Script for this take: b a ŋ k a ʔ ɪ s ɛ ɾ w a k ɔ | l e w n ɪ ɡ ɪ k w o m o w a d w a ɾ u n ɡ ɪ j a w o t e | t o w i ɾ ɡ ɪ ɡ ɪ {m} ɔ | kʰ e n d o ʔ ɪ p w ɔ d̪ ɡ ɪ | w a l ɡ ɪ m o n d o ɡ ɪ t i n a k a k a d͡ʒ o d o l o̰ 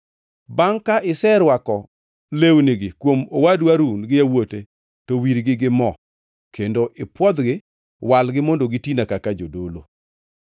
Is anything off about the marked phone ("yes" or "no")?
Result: no